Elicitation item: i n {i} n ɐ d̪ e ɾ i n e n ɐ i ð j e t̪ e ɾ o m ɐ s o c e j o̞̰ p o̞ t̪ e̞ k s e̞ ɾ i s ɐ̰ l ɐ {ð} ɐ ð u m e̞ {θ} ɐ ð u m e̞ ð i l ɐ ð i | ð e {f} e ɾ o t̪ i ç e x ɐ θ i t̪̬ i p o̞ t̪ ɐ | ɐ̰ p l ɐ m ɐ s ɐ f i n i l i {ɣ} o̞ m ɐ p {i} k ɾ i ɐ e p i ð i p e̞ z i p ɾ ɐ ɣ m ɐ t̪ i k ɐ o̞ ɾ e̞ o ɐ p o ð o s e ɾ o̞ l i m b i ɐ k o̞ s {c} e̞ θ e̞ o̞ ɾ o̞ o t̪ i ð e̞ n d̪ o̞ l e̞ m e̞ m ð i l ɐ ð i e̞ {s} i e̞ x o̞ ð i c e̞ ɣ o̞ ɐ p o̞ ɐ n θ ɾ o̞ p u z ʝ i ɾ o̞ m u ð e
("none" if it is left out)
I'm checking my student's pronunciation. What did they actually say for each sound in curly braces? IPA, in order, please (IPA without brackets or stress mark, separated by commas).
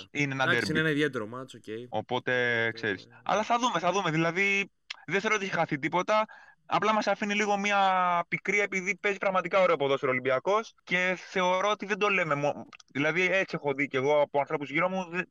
e, θ, θ, θ, ɣ, i, c, t͡s